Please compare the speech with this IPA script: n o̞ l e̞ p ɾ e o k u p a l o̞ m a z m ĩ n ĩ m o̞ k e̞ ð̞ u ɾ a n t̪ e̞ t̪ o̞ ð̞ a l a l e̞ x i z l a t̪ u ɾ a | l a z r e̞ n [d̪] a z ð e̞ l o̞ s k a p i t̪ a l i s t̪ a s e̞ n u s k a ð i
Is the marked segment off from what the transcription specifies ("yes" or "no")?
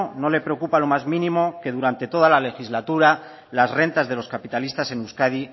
yes